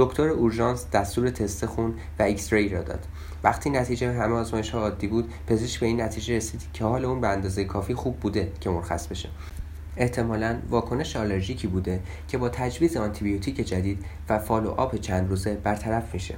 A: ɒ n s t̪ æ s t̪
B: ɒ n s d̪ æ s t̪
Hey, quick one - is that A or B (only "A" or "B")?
B